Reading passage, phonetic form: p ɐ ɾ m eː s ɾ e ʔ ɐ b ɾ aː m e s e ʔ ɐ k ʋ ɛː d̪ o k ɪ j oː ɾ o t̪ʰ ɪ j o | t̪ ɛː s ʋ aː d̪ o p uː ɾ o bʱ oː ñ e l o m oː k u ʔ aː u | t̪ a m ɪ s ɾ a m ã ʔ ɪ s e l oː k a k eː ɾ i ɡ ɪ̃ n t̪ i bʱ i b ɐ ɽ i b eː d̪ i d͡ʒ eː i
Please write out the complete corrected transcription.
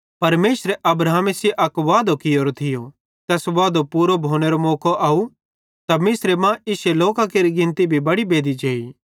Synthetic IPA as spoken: p ɐ ɾ m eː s ɾ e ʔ ɐ b ɾ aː m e s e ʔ ɐ k ʋ aː d̪ o k ɪ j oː ɾ o t̪ʰ ɪ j o | t̪ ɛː s ʋ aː d̪ o p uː ɾ o bʱ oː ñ e ɾ o m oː k o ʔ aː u | t̪ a m ɪ s ɾ e m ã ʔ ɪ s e l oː k a k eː ɾ i ɡ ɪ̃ n t̪ i bʱ i b ɐ ɽ i b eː d̪ i d͡ʒ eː i